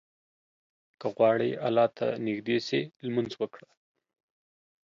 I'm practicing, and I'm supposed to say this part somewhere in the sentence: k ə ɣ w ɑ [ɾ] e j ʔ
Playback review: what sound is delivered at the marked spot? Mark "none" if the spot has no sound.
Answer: ɽ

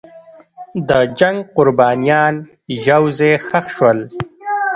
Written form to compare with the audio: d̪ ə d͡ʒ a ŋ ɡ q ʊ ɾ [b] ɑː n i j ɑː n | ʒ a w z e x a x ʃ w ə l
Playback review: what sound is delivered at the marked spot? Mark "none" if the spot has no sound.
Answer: b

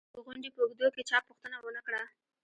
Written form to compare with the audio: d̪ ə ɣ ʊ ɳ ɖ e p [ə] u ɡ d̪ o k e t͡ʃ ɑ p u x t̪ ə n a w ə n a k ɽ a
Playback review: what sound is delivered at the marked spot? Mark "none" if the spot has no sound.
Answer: ə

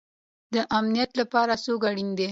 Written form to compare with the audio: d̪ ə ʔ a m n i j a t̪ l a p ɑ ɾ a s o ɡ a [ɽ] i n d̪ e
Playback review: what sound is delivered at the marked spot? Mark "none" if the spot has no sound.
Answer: ɽ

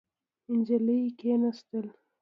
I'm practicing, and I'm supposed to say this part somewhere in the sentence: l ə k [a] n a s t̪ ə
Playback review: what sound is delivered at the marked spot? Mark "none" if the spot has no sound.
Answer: e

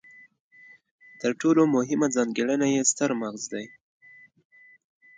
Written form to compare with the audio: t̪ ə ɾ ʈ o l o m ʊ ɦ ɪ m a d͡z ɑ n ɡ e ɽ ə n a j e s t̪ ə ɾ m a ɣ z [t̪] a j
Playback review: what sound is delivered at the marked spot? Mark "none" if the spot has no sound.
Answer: d̪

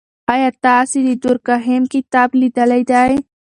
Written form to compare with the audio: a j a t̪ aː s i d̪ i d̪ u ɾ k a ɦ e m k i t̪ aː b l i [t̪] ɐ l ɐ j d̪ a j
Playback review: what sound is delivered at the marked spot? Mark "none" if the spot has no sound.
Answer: d̪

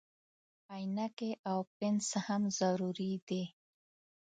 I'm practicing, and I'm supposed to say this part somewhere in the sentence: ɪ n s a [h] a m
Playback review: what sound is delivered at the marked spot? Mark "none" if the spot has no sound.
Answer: h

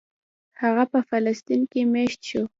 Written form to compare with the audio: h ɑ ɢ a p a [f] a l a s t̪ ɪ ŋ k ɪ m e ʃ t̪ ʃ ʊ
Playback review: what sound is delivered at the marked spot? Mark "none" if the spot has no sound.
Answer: f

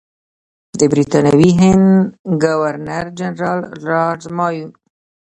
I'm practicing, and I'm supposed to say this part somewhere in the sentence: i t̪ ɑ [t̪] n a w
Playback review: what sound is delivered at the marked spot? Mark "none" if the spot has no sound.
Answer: none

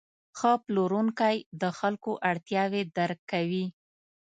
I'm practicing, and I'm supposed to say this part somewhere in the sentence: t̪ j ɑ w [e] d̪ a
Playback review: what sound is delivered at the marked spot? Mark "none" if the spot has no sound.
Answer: e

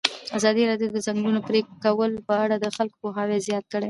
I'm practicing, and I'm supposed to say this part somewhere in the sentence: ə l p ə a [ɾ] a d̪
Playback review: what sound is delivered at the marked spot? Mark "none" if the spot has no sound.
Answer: ɽ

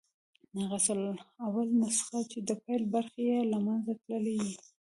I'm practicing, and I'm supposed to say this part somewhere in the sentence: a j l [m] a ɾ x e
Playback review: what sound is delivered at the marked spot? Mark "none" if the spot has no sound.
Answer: b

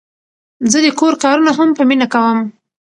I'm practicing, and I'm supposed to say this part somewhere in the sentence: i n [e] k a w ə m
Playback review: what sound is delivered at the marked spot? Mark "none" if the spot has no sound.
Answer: a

